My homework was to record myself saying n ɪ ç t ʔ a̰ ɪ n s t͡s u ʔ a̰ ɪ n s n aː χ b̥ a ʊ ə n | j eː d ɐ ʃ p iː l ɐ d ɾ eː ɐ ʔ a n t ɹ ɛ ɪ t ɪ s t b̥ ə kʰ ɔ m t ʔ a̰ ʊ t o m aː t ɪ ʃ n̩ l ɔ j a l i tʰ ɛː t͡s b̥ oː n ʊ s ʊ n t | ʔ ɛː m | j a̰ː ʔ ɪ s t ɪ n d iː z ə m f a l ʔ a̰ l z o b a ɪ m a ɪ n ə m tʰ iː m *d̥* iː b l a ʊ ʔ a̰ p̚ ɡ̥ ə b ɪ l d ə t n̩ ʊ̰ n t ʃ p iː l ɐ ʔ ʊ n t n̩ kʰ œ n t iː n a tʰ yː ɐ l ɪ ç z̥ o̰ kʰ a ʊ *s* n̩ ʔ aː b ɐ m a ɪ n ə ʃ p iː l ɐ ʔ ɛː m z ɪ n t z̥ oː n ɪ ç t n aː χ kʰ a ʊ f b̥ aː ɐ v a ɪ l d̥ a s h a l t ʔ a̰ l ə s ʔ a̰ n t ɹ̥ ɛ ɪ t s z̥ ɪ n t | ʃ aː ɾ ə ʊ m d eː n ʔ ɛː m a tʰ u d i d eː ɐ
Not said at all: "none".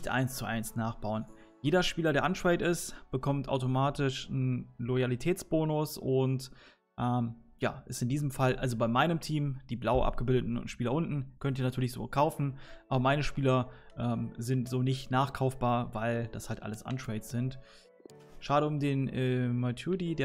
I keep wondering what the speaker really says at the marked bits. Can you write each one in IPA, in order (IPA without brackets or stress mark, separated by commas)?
d̥, f